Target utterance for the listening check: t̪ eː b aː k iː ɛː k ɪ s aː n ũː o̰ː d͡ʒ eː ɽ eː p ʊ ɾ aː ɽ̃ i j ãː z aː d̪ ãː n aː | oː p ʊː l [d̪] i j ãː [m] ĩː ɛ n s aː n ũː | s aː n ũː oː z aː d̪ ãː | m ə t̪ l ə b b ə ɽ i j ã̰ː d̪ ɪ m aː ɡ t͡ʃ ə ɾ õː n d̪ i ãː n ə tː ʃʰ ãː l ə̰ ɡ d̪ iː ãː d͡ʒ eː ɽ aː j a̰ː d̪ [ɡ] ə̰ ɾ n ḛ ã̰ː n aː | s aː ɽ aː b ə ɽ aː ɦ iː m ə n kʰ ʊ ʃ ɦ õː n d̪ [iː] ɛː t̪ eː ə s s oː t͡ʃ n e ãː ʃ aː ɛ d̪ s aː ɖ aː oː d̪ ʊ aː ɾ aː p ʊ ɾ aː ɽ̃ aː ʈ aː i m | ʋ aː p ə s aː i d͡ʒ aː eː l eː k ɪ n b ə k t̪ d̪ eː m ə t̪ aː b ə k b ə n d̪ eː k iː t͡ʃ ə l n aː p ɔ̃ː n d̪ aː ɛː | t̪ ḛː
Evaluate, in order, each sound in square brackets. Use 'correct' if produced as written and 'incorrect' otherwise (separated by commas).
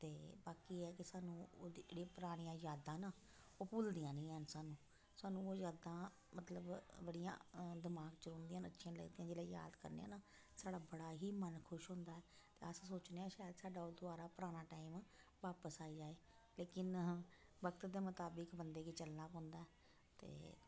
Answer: correct, incorrect, incorrect, incorrect